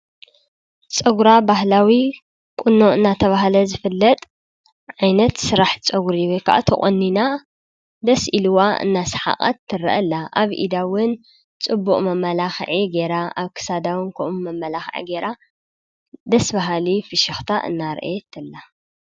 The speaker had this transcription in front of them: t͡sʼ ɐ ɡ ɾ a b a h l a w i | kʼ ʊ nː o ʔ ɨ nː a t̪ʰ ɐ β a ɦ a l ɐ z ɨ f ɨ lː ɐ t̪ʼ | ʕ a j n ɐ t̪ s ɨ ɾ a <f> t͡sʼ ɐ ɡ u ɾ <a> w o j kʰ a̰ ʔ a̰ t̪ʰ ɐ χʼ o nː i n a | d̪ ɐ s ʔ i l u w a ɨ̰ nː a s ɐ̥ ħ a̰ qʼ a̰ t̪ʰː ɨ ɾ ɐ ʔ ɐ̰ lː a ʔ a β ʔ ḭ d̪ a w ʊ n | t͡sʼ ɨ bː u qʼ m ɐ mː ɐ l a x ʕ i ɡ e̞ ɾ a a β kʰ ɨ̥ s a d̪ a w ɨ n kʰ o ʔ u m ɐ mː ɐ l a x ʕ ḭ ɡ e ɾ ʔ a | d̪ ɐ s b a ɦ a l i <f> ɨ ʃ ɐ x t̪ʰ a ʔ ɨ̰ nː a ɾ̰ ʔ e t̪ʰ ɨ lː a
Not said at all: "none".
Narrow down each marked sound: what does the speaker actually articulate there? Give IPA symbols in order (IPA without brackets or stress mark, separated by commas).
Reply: ħ, i, f